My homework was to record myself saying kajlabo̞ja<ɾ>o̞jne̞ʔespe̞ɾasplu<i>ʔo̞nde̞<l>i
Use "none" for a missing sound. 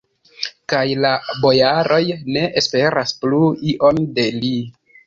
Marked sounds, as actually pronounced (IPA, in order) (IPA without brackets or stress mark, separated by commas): ɾ, i, l